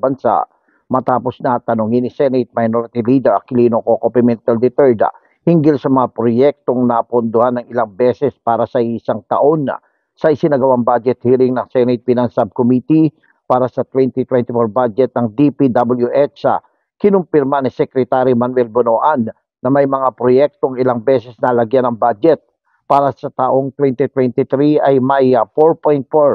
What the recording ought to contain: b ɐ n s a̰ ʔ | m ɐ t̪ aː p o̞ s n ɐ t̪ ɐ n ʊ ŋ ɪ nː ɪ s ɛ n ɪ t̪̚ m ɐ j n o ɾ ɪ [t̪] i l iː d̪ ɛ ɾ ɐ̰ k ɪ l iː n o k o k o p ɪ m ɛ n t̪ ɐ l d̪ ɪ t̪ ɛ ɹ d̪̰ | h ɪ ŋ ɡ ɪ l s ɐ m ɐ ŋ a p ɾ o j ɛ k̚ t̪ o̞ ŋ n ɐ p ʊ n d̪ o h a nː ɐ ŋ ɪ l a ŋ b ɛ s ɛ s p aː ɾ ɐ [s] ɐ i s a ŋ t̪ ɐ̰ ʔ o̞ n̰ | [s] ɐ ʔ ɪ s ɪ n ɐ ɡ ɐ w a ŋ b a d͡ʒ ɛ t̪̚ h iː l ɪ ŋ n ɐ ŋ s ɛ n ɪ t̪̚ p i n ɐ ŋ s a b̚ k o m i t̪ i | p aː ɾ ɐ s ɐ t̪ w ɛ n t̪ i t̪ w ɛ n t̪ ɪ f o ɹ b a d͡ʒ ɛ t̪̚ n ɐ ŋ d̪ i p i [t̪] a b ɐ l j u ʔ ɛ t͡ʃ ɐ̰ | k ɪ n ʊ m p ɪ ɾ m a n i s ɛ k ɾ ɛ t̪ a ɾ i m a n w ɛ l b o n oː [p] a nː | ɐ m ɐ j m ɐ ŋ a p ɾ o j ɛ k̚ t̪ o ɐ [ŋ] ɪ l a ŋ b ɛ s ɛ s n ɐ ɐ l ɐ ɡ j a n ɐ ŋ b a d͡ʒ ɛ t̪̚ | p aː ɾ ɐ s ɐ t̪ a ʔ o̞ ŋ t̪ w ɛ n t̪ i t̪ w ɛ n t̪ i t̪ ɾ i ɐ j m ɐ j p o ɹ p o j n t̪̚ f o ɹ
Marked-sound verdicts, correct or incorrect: correct, correct, correct, incorrect, incorrect, correct

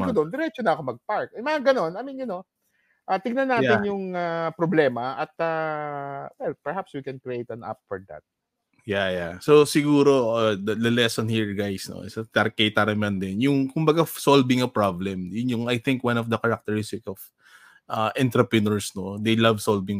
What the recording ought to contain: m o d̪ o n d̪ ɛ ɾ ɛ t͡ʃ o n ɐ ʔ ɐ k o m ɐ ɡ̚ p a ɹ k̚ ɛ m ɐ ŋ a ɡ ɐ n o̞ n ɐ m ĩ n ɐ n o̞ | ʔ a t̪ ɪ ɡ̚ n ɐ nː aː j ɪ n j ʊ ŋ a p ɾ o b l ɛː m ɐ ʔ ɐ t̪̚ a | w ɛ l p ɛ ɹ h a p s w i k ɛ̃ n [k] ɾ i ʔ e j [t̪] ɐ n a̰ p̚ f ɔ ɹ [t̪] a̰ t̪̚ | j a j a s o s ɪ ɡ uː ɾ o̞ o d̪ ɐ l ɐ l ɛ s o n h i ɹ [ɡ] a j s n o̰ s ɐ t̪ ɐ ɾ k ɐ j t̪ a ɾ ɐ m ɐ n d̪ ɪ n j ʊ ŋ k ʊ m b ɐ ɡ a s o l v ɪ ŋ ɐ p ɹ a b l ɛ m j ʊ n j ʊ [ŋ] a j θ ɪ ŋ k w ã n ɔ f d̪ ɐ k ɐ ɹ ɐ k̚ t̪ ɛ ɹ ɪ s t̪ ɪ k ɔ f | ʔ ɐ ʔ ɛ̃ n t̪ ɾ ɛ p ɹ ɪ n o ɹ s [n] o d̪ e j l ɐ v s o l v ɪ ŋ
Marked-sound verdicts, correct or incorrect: correct, correct, incorrect, correct, correct, correct

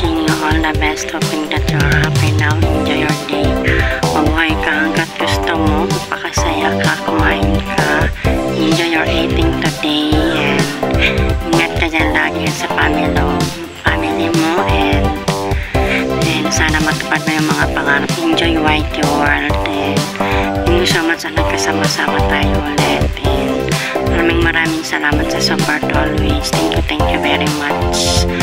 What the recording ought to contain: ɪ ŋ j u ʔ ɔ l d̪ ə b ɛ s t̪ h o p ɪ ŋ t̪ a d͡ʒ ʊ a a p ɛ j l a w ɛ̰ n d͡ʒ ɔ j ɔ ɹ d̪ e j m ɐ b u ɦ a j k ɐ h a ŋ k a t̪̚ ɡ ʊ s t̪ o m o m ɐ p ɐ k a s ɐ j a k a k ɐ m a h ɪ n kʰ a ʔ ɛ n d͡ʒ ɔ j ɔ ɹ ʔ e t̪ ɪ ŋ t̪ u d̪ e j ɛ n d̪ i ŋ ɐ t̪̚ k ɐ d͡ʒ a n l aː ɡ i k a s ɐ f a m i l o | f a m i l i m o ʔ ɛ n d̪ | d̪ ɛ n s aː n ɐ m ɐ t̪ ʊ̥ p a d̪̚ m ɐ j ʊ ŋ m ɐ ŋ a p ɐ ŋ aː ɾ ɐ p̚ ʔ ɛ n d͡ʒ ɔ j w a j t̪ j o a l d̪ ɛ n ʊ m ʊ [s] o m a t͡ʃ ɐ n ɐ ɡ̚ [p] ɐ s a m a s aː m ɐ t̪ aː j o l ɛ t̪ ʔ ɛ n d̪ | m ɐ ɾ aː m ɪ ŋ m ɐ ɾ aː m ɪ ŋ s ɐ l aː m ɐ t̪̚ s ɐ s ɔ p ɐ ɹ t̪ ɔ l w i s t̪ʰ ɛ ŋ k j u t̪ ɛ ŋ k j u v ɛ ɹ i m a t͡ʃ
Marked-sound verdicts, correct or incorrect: correct, incorrect

